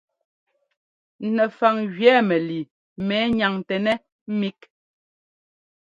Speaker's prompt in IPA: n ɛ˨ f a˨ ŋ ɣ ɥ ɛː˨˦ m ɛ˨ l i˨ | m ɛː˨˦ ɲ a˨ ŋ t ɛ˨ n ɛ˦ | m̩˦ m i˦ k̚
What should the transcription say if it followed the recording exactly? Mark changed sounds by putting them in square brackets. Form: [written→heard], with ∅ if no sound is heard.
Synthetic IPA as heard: n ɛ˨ f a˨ ŋ ɣ ɥ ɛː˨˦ m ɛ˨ l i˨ | m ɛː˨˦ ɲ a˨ ŋ t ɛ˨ n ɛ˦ | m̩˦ m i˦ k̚